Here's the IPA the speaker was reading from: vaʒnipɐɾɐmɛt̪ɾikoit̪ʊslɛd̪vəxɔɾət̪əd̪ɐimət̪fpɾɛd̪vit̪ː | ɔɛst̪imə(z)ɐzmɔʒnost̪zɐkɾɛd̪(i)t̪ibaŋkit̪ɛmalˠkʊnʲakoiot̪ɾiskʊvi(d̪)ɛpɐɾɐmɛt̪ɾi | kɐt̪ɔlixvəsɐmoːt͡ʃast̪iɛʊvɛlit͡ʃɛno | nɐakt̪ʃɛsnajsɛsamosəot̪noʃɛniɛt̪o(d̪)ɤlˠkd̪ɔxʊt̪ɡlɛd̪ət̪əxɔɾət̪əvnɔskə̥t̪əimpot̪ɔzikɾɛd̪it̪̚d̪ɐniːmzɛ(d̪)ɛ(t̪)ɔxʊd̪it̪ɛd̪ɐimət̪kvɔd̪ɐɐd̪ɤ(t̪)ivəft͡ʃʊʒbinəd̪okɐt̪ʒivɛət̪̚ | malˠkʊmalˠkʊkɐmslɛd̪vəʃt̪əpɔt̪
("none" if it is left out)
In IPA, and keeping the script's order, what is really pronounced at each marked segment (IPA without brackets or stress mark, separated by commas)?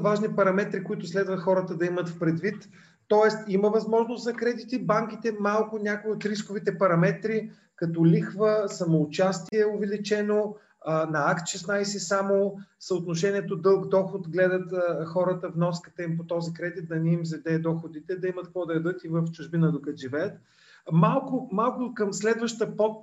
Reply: v, i, t̪, d̪, d̪, d̪, t̪